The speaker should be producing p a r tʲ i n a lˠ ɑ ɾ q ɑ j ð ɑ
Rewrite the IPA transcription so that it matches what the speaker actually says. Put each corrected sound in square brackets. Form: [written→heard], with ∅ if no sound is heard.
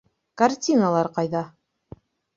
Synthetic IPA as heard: [p→k] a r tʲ i n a lˠ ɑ ɾ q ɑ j ð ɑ